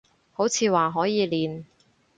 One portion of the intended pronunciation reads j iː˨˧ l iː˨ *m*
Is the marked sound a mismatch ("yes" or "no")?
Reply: yes